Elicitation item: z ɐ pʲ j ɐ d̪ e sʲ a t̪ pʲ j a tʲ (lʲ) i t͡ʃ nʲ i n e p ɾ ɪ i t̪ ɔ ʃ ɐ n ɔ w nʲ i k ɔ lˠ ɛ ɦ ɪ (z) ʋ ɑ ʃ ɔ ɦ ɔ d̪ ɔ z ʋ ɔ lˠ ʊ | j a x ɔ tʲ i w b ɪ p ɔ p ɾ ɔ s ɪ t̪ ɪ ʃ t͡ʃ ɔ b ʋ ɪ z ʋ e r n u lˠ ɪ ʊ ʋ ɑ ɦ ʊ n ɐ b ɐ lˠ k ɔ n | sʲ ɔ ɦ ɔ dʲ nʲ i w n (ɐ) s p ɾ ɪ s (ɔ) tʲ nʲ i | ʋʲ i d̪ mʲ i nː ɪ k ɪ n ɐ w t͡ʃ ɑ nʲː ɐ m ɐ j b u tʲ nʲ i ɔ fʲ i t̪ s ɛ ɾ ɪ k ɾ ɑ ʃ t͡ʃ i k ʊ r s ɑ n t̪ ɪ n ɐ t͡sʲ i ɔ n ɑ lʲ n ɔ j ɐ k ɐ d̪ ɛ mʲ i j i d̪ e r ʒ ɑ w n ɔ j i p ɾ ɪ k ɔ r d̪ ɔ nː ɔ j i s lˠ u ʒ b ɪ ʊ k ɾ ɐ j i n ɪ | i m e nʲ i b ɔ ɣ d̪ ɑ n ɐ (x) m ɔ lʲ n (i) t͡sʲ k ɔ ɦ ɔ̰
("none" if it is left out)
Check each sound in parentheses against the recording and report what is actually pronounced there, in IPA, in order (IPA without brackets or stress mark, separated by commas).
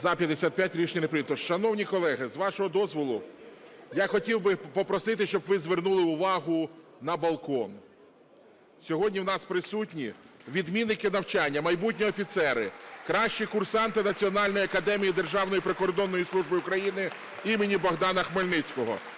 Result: ɾʲ, z, ɑ, u, x, ɪ